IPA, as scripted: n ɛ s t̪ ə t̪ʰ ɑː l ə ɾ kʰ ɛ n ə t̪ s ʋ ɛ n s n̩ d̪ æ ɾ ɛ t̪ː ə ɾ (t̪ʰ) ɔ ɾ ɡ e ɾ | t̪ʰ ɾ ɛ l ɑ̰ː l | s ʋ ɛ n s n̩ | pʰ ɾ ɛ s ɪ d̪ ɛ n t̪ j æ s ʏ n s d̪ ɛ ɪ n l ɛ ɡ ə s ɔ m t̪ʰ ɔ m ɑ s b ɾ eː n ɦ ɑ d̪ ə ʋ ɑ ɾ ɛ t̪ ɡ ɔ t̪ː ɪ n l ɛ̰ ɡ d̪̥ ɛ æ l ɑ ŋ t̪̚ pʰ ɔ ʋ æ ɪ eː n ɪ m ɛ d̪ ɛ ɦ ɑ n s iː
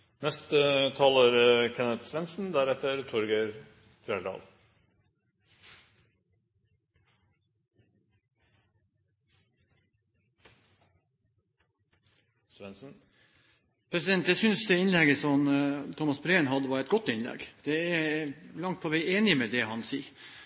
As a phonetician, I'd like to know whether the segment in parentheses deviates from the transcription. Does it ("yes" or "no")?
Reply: no